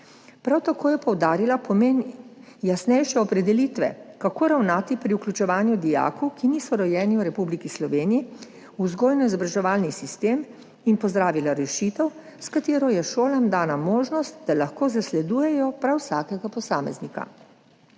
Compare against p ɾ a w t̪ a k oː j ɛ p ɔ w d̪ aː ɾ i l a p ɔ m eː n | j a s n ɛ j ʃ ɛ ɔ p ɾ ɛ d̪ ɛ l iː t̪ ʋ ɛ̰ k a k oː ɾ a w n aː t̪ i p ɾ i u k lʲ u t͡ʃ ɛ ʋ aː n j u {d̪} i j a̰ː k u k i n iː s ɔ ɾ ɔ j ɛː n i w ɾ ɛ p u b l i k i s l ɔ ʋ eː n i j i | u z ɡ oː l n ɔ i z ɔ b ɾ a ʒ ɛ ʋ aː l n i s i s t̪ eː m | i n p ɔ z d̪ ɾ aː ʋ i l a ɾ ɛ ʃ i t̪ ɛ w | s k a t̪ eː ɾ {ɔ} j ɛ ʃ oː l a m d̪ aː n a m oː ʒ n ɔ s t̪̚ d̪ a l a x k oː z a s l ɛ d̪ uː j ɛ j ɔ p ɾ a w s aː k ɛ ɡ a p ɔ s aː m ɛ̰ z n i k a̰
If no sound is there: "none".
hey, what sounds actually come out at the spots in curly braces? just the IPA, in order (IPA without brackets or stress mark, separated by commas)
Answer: d̪, ɔ